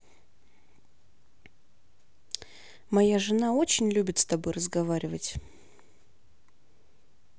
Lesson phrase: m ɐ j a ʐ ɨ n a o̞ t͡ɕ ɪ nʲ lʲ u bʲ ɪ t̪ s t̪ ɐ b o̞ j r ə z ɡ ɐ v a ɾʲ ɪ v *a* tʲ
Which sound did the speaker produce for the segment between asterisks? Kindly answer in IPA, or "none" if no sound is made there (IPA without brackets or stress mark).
ə